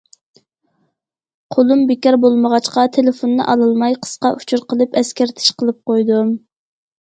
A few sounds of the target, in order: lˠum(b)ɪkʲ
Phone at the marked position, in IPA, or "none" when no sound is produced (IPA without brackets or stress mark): b